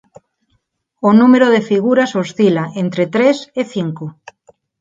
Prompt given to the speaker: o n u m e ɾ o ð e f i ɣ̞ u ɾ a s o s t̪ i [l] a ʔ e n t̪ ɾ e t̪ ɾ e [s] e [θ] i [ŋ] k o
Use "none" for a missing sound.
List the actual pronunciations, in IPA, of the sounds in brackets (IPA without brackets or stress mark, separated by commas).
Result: l, s, θ, ŋ